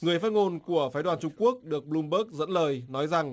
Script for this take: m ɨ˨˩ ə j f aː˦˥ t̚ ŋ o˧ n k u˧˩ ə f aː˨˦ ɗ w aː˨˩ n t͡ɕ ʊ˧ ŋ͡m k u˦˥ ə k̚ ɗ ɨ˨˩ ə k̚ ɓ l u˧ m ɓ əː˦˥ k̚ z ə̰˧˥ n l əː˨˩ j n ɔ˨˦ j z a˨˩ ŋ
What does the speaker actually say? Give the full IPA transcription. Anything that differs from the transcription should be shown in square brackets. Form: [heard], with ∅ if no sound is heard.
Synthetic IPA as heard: [ŋ] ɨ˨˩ ə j f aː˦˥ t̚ ŋ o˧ n k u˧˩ ə f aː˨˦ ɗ w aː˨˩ n t͡ɕ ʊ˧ ŋ͡m k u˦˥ ə k̚ ɗ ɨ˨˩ ə k̚ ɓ l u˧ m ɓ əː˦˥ k̚ z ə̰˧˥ n l əː˨˩ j n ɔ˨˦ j z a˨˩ ŋ